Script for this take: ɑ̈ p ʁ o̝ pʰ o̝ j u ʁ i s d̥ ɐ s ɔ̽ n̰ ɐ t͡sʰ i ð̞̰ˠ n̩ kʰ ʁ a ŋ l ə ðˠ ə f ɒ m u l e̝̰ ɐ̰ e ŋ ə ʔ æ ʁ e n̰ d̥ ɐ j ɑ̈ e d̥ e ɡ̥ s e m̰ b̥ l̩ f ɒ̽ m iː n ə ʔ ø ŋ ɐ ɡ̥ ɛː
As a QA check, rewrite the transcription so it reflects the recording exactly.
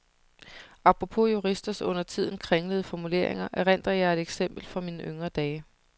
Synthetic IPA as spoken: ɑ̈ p ʁ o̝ pʰ o̝ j u ʁ i s d̥ ɐ s ɔ̽ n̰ ɐ t͡sʰ i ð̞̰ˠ n̩ kʰ ʁ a ŋ l ə ðˠ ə f ɒ m u l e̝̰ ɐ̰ e ŋ ɐ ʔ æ ʁ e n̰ d̥ ɐ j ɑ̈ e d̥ e ɡ̥ s e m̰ b̥ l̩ f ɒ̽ m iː n ə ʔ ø ŋ ɐ d̥ ɛː